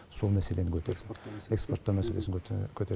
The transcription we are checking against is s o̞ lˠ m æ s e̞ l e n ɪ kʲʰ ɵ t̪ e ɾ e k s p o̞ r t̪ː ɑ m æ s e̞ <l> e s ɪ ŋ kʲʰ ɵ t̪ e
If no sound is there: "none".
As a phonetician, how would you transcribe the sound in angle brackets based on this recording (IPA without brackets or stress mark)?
l